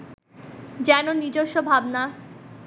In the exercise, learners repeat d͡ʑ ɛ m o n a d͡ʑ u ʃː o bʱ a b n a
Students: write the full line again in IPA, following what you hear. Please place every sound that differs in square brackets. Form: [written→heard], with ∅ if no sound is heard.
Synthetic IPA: d͡ʑ ɛ [m→n] o n [a→i] d͡ʑ [u→o] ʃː o bʱ a b n a